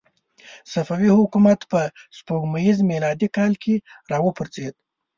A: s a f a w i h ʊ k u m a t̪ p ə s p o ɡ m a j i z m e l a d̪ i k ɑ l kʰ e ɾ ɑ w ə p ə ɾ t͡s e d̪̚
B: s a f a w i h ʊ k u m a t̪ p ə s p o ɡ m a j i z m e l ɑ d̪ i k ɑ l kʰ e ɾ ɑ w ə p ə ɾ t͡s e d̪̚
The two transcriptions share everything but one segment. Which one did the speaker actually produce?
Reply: B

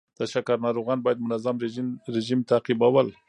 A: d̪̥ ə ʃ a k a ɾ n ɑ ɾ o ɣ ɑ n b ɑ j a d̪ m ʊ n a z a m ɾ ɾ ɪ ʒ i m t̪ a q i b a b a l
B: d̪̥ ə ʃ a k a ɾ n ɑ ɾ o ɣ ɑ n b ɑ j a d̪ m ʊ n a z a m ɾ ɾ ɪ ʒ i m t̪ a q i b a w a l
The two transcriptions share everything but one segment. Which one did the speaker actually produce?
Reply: B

